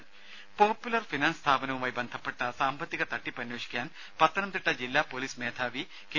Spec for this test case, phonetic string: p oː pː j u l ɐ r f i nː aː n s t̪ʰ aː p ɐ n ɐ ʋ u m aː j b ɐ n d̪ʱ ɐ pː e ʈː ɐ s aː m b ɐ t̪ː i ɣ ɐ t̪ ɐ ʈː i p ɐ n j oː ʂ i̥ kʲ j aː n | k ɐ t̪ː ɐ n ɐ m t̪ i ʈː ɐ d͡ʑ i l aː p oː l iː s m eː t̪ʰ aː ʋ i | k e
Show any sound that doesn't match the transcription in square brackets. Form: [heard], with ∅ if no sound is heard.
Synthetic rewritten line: p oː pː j u l ɐ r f i [n] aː n s t̪ʰ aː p ɐ n ɐ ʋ u m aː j b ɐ n d̪ʱ ɐ pː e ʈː ɐ s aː m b ɐ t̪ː i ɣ ɐ t̪ ɐ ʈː i p ɐ n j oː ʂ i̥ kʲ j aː n | [p] ɐ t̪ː ɐ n ɐ m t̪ i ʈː ɐ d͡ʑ i [lː] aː p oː l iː s m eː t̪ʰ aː ʋ i | k e